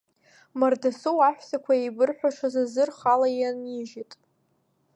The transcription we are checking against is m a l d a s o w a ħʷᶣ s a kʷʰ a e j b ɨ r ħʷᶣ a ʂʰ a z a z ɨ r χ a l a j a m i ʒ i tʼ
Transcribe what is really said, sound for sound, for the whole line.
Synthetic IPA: m a r d a s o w a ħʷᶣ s a kʷʰ a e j b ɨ r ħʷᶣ a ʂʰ a z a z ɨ r χ a l a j a n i ʒ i tʼ